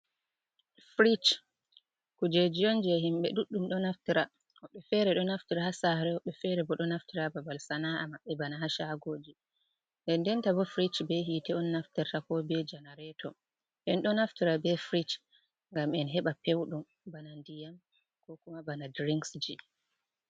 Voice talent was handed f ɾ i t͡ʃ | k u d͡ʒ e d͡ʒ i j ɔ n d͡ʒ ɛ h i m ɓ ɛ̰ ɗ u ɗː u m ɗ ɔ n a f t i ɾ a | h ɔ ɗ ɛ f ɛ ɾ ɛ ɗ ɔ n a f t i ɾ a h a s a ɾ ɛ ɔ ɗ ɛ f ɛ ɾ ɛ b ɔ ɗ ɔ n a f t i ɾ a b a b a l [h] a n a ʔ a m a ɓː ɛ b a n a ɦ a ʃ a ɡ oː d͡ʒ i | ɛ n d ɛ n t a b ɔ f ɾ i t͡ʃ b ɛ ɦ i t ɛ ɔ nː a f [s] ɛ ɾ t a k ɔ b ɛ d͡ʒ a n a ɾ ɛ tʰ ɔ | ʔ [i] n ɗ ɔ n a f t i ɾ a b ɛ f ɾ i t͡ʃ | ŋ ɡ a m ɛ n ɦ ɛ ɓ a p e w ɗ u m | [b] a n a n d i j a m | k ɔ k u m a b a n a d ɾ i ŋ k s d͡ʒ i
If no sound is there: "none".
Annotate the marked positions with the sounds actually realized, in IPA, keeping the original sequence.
s, t, ɛ, b

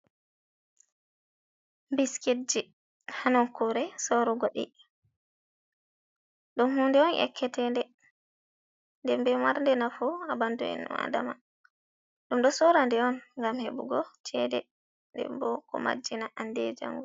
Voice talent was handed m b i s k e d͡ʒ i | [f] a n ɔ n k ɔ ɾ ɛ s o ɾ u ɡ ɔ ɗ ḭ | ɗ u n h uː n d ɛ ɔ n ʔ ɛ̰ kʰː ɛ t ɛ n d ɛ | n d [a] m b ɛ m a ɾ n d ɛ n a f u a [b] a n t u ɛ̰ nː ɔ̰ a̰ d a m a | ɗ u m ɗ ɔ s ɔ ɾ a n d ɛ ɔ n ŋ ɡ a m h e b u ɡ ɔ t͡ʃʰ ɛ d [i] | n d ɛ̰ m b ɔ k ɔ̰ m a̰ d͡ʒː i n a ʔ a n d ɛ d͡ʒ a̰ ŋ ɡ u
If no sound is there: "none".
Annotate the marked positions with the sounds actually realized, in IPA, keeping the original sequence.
h, ɛ, b, ɛ

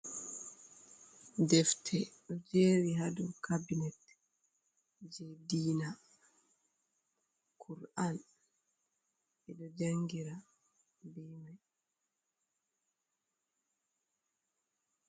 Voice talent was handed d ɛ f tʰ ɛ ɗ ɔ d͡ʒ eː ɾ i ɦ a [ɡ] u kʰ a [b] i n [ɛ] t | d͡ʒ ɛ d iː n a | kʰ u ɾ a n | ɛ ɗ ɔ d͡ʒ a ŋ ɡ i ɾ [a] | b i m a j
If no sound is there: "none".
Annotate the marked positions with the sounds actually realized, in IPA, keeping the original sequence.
d, b, ɛ, a

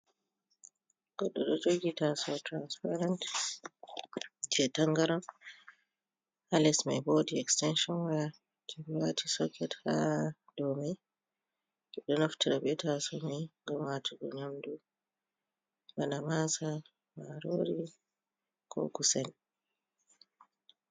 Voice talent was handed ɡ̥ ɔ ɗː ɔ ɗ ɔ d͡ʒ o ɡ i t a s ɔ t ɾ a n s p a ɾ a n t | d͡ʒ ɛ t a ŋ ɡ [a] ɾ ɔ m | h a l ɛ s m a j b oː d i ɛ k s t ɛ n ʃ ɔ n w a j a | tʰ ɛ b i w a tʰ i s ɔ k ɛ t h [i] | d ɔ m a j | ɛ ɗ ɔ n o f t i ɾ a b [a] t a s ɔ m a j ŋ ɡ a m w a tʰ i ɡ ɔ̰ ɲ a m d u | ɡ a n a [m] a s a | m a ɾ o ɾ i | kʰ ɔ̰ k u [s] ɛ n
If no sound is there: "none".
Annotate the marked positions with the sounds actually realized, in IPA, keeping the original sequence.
a, a, ɛ, m, s

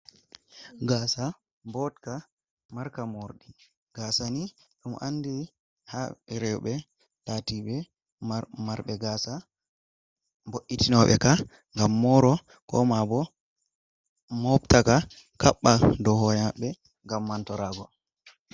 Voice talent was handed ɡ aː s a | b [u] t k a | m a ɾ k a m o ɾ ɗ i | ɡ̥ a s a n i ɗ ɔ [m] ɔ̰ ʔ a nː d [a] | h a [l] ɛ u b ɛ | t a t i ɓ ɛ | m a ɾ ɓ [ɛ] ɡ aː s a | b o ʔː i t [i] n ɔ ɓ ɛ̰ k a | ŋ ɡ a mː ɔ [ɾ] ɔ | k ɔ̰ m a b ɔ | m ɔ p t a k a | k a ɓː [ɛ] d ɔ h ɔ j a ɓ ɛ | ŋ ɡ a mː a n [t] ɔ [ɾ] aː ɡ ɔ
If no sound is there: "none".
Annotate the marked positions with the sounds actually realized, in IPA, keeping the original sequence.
ɔ, m, i, ɾ, ɛ, i, ɾ, a, t, ɾ

